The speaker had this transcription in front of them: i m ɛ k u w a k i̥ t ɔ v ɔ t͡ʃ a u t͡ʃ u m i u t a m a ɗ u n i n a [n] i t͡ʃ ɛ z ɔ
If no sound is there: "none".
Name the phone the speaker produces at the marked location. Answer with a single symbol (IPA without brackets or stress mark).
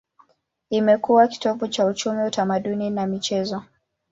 m